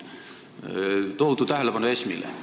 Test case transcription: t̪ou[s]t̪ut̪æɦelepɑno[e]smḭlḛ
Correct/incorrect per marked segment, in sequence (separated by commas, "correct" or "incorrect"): incorrect, correct